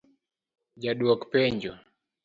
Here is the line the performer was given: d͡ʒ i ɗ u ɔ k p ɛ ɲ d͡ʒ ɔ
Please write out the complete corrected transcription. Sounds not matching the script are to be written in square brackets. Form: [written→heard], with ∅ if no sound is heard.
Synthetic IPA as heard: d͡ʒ [i→a] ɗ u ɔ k p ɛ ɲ d͡ʒ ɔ